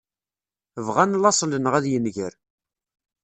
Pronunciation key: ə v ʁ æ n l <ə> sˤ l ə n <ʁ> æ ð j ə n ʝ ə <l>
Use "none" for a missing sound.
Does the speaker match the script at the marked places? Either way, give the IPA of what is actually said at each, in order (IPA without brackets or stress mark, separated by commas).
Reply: ɑ, ʁ, ɾ